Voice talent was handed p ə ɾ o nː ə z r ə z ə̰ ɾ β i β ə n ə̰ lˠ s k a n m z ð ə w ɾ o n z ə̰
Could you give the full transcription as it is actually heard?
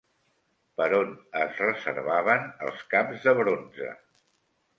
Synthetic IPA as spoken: p ə ɾ o n ə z r ə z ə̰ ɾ β a β ə n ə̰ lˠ s k a m z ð ə β ɾ o n z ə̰